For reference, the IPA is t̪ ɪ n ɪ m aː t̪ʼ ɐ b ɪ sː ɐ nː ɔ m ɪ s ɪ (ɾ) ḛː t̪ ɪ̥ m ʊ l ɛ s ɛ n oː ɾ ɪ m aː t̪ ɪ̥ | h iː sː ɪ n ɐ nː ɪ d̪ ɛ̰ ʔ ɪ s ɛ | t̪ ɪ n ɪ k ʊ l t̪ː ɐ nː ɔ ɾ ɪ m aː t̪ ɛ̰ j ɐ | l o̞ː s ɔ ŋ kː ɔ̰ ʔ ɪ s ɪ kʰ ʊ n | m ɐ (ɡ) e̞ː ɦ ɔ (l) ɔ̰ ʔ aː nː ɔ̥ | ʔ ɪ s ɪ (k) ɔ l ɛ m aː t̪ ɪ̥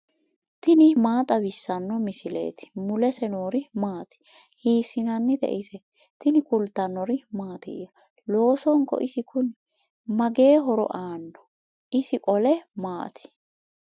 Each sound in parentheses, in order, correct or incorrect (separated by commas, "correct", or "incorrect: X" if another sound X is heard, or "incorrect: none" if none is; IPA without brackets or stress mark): incorrect: l, correct, incorrect: ɾ, incorrect: kʼ